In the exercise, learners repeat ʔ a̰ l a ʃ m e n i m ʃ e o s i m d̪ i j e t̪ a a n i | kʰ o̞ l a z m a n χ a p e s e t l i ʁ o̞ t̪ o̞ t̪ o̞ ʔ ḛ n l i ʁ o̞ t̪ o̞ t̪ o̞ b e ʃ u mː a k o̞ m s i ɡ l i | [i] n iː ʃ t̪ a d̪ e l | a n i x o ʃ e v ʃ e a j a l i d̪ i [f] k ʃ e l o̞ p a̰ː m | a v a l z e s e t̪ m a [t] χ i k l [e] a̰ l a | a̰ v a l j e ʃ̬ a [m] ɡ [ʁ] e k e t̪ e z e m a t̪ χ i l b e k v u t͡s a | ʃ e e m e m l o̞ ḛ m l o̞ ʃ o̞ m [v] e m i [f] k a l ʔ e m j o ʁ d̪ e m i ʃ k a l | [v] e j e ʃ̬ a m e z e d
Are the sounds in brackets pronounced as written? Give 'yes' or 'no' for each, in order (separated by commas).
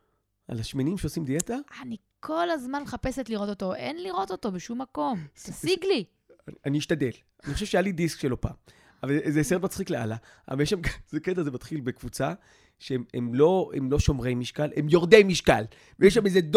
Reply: no, no, no, yes, yes, no, no, no, yes